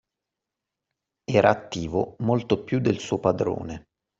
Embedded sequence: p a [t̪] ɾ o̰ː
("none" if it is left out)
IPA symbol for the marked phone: d̪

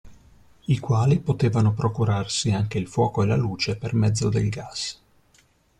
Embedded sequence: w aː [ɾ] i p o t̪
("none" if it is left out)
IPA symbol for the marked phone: l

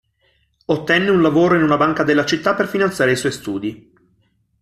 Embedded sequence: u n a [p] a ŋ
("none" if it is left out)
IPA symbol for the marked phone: b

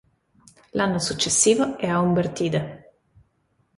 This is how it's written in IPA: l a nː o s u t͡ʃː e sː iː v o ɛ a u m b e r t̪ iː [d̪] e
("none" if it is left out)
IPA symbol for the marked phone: d̪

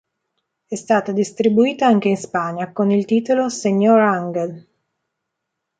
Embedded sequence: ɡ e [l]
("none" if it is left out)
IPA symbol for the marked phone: l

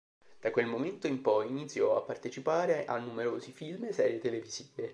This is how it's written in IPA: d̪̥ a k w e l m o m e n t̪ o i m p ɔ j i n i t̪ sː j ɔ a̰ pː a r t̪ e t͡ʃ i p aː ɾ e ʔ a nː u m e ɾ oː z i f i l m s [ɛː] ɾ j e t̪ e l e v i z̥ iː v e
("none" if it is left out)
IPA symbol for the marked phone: ɛː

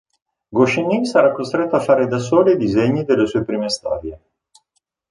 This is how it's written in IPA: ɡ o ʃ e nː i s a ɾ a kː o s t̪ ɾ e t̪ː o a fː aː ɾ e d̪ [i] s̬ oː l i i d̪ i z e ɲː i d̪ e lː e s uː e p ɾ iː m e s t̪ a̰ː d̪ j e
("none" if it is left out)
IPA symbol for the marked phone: a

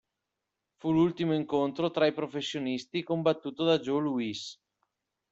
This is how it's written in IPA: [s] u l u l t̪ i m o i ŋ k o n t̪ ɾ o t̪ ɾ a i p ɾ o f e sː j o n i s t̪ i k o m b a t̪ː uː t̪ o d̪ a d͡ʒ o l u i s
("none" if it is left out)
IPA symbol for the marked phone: f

